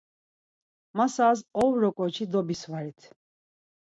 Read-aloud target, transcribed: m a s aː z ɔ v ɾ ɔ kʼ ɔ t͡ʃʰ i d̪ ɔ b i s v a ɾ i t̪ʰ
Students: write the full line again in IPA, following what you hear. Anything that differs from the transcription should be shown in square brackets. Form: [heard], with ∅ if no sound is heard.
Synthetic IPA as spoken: m a s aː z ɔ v ɾ ɔ kʼ ɔ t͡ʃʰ i d̪ ɔ b i s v a ɾ i t̪ʰ